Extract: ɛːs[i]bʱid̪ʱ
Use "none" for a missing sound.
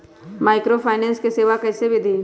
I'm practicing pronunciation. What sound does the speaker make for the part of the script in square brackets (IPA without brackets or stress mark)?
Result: e